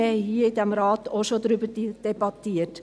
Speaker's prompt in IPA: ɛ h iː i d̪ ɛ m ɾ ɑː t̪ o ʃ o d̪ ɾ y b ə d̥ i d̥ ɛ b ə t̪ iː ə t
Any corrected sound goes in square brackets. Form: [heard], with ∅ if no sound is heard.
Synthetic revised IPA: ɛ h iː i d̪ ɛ m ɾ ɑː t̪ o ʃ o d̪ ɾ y b ə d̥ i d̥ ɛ b [ɑ] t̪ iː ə t